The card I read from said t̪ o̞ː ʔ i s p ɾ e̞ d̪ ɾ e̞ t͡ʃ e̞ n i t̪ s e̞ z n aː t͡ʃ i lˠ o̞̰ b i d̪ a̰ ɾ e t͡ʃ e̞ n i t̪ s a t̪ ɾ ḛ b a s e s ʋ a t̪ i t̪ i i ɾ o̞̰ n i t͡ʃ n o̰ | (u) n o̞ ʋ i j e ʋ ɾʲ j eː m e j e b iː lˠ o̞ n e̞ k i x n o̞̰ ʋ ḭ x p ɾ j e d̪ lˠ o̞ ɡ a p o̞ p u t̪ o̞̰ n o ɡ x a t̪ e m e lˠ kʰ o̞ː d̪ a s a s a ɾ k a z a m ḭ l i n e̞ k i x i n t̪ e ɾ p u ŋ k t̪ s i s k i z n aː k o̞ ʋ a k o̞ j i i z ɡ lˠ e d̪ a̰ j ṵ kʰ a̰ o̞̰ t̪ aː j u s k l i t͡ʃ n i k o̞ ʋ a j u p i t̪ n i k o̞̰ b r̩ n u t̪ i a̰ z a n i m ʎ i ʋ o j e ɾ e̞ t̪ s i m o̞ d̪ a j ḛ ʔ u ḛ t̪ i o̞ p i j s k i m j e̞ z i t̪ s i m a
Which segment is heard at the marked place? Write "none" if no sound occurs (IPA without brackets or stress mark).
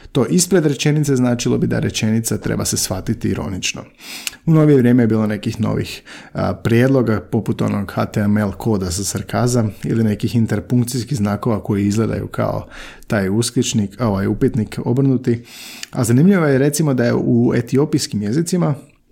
u